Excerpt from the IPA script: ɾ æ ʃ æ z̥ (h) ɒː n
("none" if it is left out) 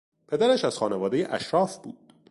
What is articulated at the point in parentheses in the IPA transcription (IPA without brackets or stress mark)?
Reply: x